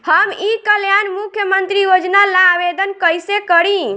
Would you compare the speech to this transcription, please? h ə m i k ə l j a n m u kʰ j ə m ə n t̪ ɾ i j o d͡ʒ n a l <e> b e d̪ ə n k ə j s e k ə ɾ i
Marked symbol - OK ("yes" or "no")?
no